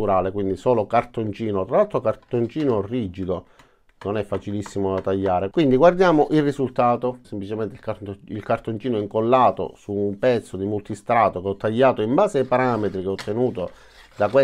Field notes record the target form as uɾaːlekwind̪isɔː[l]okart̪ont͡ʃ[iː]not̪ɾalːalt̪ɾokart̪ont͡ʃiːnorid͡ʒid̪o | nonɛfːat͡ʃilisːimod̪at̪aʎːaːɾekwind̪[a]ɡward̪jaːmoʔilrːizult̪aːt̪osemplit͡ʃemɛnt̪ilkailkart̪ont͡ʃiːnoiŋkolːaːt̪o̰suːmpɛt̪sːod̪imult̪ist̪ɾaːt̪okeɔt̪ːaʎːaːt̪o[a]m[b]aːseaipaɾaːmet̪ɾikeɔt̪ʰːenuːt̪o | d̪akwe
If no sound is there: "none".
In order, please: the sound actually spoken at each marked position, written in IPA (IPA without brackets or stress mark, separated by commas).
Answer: l, iː, i, i, b